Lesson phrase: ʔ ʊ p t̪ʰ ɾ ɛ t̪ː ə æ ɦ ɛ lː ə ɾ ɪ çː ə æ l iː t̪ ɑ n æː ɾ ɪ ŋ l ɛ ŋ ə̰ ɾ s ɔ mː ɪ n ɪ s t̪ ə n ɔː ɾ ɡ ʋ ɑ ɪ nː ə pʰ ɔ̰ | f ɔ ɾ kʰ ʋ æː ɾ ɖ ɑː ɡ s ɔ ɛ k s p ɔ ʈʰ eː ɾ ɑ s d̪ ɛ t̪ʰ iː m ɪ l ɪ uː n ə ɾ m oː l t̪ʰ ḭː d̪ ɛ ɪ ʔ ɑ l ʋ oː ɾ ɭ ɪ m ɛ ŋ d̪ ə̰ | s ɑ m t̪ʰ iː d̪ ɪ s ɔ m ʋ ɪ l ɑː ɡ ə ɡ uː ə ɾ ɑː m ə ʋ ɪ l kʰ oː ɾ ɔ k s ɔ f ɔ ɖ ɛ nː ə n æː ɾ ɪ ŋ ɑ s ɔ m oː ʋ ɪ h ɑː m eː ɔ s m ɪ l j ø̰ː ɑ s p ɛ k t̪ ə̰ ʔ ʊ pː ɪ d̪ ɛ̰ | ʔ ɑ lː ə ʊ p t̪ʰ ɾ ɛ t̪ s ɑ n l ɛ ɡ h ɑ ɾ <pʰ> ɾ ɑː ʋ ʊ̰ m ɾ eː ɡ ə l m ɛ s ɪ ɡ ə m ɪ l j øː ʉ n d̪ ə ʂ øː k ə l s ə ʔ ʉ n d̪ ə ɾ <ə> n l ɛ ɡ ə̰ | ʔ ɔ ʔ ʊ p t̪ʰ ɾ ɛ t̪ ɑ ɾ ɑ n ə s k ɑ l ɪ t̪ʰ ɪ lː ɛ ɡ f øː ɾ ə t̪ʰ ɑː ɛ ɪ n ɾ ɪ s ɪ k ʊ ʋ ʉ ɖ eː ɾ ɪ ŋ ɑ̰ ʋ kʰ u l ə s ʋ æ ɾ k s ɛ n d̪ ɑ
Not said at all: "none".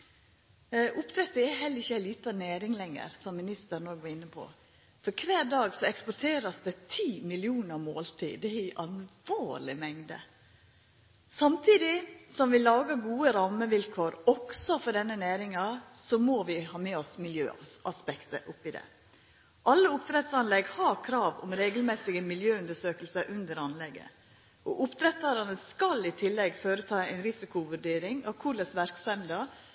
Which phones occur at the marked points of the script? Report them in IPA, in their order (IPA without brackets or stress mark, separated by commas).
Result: kʰ, ɑ